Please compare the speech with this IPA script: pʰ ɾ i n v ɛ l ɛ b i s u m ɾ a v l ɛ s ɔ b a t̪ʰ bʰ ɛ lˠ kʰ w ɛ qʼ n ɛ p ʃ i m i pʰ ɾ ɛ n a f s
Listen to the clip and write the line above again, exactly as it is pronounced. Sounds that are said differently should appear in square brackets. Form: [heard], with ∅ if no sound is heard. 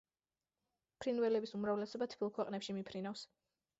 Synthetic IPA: pʰ ɾ i n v ɛ l ɛ b i s u m ɾ a v l ɛ s ɔ b a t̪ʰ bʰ [i] lˠ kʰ w ɛ qʼ n ɛ p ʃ i m i pʰ ɾ [i] n a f s

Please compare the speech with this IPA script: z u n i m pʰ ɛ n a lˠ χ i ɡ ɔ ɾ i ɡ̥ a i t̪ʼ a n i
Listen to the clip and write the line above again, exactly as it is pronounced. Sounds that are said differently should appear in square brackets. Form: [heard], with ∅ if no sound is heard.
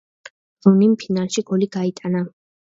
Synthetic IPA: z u n i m pʰ [i] n a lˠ [ʃ] i ɡ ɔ [l] i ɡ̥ a i t̪ʼ a n [a]

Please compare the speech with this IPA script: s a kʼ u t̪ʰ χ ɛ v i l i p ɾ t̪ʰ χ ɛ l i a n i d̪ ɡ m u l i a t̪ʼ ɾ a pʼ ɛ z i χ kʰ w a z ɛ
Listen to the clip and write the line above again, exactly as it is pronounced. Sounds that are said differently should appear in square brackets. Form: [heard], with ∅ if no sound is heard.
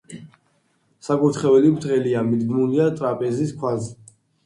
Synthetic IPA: s a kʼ u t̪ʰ χ ɛ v [ɛ] l i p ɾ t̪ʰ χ ɛ l i a [m] i d̪ ɡ m u l i a t̪ʼ ɾ a pʼ ɛ z i [s] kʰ w a z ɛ

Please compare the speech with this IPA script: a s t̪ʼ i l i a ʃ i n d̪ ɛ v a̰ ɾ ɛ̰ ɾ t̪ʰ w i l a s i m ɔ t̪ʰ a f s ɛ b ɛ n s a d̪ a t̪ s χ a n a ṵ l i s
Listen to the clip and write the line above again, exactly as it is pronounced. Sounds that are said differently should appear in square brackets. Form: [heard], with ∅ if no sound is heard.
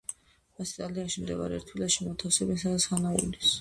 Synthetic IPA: a s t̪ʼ [a] l i a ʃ i [m] d̪ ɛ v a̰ ɾ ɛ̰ ɾ t̪ʰ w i l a [ʃ] i m ɔ t̪ʰ a f s ɛ b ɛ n s a d̪ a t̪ s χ a n a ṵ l i s

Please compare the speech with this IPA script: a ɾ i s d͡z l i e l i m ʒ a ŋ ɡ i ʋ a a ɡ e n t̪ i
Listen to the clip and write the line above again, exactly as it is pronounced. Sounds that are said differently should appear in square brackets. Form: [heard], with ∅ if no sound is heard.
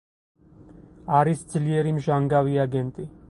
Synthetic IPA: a ɾ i s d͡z l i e [ɾ] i m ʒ a ŋ ɡ [a] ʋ [i] a ɡ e n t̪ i

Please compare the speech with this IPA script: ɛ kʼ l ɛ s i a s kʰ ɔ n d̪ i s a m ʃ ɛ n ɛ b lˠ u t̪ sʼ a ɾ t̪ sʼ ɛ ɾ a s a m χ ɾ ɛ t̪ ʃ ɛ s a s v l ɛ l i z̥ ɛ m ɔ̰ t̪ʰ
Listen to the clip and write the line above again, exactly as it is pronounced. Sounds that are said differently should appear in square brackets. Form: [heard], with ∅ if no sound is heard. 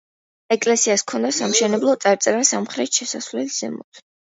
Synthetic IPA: ɛ kʼ l ɛ s i a s kʰ ɔ n d̪ [a] s a m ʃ ɛ n ɛ b lˠ [ɔ] t̪ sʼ a ɾ t̪ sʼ ɛ ɾ a s a m χ ɾ ɛ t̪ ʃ ɛ s a s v l ɛ l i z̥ ɛ m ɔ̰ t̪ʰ

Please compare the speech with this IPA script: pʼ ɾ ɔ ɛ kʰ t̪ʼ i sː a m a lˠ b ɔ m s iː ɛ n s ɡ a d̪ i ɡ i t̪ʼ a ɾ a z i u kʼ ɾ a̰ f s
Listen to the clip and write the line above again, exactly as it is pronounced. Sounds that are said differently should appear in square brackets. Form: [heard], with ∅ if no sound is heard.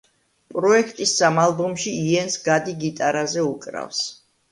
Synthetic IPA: pʼ ɾ ɔ ɛ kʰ t̪ʼ i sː a m a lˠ b ɔ m [ʃ] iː ɛ n s ɡ a d̪ i ɡ i t̪ʼ a ɾ a z [ɛ] u kʼ ɾ a̰ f s

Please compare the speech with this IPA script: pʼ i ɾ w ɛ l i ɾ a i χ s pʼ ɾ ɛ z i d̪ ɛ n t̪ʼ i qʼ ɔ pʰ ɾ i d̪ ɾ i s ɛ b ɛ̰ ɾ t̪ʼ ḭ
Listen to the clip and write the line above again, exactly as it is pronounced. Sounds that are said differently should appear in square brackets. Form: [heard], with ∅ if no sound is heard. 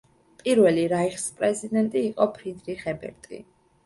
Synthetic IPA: pʼ i ɾ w ɛ l i ɾ a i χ s pʼ ɾ ɛ z i d̪ ɛ n t̪ʼ [iː] qʼ ɔ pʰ ɾ i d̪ ɾ i [χ] ɛ b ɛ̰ ɾ t̪ʼ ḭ

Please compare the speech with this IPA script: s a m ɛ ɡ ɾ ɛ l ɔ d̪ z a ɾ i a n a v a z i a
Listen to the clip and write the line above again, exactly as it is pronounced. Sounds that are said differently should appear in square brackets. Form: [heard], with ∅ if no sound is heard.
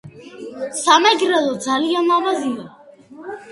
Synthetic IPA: s a m ɛ ɡ ɾ ɛ l ɔ d̪ z a [l] i a n a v a z i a

